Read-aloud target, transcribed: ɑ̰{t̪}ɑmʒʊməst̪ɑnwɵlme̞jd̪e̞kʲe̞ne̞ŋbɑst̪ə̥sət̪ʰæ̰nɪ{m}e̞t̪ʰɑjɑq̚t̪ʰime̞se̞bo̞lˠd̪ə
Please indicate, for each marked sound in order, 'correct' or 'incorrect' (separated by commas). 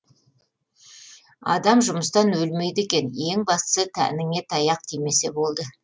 incorrect, incorrect